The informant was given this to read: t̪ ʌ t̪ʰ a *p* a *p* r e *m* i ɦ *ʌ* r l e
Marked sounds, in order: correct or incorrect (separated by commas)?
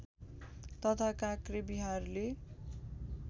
incorrect, incorrect, incorrect, incorrect